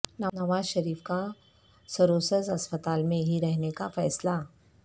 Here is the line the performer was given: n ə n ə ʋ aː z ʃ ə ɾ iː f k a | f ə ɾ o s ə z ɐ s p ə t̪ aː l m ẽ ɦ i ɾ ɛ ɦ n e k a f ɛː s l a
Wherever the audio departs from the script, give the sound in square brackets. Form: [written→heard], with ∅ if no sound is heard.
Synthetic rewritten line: n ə n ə ʋ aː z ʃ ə ɾ iː f k a | [f→s] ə ɾ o s ə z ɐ s p ə t̪ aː l m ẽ ɦ i ɾ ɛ ɦ n e k a f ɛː s l a